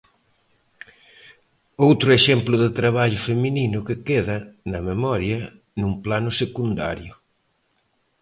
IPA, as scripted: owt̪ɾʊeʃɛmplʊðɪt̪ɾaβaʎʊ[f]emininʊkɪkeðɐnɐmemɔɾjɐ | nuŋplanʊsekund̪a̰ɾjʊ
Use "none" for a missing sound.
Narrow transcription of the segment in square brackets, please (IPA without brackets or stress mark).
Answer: f